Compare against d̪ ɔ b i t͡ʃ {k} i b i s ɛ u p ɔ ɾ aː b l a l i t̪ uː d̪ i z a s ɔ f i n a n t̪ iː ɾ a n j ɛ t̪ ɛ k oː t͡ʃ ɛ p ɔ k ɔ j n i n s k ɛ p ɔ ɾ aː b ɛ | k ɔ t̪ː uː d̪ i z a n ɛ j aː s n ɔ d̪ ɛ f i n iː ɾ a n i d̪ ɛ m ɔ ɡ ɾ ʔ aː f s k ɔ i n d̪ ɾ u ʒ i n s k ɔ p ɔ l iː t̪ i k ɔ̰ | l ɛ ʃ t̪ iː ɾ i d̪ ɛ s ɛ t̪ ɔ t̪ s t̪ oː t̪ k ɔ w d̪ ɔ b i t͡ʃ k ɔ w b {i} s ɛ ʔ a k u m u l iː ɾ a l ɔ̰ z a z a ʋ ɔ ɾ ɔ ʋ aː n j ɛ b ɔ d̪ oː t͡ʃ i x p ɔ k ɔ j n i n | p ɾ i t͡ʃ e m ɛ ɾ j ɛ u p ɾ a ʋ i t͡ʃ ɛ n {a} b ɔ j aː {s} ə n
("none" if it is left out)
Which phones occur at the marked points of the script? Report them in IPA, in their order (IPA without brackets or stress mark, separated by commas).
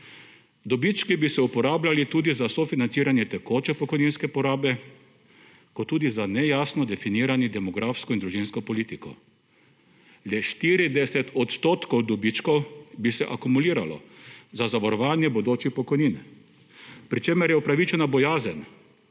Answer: k, i, a, z